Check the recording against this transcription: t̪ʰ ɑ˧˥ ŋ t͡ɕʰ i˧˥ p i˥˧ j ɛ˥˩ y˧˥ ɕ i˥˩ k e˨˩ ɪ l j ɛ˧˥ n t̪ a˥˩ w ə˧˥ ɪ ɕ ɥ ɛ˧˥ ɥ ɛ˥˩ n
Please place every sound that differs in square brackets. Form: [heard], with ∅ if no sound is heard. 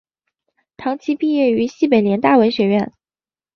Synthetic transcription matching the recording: t̪ʰ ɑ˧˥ ŋ t͡ɕʰ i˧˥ p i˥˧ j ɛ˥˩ y˧˥ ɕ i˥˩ [p] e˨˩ ɪ l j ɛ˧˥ n t̪ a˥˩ w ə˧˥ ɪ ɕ ɥ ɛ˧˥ ɥ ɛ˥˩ n